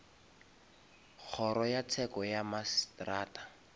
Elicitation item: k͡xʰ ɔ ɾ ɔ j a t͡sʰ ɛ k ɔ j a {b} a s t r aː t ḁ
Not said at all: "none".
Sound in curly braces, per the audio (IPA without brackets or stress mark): m